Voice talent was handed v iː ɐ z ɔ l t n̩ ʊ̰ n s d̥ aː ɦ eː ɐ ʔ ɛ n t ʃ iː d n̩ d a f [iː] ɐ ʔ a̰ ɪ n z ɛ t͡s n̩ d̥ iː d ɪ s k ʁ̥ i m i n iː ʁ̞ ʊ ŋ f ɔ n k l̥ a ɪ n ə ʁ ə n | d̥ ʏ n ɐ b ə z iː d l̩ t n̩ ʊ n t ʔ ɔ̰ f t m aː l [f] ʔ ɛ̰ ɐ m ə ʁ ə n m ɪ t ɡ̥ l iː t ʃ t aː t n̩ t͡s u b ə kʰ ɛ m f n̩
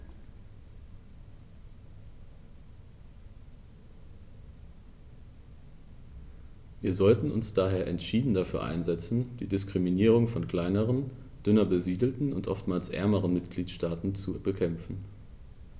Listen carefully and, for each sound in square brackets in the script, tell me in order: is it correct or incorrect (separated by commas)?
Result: incorrect, incorrect